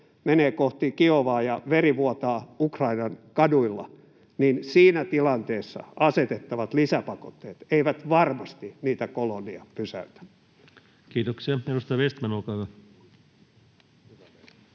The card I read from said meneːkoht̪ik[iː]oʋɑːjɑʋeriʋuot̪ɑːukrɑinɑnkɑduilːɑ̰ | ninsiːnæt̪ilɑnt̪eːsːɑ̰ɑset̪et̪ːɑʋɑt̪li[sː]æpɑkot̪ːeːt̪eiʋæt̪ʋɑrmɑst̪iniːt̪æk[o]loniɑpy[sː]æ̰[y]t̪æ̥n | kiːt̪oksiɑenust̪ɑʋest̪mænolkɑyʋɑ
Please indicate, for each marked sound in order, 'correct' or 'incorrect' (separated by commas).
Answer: incorrect, incorrect, correct, incorrect, correct